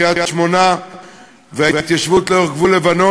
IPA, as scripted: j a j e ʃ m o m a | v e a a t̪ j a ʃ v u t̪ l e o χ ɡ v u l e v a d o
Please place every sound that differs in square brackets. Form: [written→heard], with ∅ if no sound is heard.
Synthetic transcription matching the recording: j a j [e→a] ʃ m o [m→n] a | v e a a t̪ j a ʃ v u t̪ l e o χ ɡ v u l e v a [d→n] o